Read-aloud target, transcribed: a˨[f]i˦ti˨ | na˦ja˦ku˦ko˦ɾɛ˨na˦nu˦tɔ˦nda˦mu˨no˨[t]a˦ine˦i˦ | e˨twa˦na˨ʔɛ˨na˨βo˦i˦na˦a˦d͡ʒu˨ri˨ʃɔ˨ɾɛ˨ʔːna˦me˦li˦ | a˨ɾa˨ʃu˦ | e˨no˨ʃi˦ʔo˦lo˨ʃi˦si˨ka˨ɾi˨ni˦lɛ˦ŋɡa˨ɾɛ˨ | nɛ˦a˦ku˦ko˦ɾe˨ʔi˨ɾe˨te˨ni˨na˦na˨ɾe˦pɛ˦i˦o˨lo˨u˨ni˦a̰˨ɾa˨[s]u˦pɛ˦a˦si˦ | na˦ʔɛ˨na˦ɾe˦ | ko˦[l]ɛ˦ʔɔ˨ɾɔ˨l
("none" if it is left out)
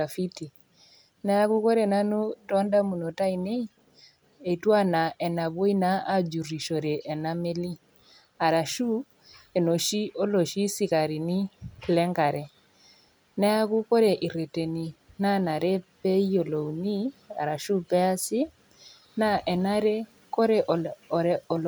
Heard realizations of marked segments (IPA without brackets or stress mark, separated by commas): f, t, ʃ, ɾ